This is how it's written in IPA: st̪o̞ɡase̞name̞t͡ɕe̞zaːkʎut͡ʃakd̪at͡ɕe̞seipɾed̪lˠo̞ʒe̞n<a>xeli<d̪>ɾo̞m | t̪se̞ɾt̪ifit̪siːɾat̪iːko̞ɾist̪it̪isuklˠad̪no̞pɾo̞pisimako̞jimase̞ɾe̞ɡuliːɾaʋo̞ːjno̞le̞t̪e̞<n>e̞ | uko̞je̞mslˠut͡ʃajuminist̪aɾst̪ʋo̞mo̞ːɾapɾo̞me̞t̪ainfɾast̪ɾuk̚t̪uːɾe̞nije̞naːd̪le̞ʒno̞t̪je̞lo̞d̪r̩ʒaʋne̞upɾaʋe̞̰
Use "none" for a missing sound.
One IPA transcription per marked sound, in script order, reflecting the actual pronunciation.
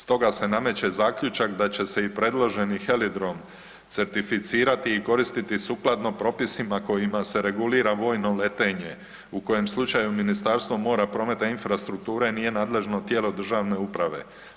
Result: i, d̪, ɲ

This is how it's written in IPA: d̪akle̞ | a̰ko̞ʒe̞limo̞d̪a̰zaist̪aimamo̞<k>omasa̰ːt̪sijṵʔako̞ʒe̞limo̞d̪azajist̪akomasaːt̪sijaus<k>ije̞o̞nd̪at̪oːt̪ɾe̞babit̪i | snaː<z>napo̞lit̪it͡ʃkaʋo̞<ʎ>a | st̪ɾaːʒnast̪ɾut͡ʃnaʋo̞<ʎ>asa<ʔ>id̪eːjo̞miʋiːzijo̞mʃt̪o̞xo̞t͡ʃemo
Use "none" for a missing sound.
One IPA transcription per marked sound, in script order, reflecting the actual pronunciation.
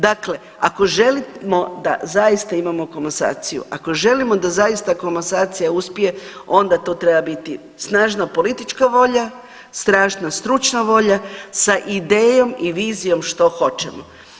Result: k, p, ʒ, ʎ, ʎ, ʔ

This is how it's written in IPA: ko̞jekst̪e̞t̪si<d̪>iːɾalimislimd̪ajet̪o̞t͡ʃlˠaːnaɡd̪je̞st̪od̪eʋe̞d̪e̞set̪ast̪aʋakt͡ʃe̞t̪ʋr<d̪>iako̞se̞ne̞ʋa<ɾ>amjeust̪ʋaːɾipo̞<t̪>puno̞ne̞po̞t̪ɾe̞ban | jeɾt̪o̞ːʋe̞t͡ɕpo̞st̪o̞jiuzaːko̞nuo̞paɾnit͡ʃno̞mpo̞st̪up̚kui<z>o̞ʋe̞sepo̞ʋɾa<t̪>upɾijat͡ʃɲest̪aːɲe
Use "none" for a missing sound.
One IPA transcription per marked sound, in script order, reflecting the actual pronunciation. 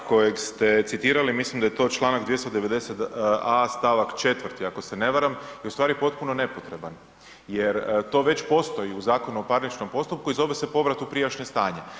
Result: t̪, t̪, ɾ, t̪, z, t̪

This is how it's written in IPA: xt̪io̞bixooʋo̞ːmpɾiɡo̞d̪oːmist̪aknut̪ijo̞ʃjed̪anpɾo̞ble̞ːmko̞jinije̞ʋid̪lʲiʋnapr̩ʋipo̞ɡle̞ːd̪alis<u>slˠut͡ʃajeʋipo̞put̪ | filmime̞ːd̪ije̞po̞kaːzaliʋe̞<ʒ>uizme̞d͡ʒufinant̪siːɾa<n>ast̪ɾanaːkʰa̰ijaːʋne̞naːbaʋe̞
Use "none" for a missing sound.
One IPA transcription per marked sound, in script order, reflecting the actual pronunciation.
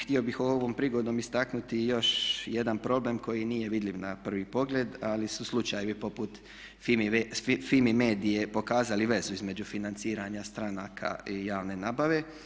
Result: u, z, ɲ

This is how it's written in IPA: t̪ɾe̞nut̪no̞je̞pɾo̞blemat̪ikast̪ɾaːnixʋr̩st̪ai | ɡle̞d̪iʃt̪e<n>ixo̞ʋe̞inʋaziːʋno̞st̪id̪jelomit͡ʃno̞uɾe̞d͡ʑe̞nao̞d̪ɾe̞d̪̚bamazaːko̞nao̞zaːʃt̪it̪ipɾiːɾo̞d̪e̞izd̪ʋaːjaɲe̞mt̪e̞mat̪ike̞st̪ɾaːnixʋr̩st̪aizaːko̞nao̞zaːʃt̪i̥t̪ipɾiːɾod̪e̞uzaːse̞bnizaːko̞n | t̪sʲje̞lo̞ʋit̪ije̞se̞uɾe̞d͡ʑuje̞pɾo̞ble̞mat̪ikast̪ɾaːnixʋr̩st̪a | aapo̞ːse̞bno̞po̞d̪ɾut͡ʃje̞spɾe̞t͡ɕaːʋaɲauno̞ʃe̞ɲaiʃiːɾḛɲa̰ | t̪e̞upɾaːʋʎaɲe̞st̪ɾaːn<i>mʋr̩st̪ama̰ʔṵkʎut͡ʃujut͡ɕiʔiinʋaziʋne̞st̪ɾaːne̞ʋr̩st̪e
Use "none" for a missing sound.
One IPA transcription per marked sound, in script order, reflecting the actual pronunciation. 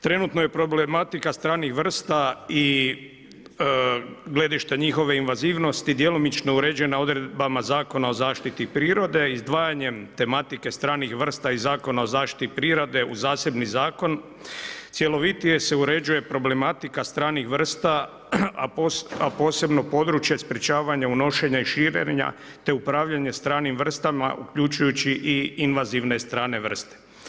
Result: ɲ, i

